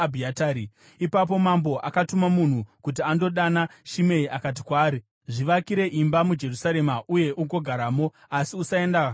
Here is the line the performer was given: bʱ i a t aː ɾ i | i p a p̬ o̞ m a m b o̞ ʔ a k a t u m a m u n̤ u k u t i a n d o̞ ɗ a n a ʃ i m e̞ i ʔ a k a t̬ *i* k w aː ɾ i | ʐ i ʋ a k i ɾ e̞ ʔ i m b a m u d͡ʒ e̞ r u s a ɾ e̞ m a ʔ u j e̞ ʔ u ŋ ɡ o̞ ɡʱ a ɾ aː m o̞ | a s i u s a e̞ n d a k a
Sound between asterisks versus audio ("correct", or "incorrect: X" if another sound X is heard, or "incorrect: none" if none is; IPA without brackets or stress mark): correct